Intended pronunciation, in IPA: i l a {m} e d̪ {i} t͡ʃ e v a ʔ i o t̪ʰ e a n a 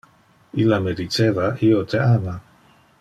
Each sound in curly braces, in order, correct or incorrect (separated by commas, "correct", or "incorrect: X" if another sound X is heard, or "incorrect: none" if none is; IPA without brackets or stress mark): correct, correct